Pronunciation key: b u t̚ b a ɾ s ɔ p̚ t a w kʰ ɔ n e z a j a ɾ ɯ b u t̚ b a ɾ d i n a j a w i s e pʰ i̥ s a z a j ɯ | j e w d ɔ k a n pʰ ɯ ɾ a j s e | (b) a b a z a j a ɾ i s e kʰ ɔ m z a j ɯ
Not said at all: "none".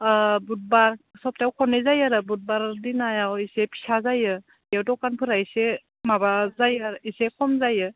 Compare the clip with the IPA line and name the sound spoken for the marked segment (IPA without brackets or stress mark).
m